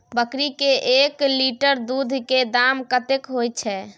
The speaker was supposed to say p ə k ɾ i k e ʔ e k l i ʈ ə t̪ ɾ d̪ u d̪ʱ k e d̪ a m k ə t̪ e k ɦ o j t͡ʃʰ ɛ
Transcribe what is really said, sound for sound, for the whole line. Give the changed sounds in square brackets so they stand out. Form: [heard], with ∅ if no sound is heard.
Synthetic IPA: [b] ə k ɾ i k e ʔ e k l i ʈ ə [∅] ɾ d̪ u d̪ʱ k e d̪ a m k ə t̪ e k ɦ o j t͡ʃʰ ɛ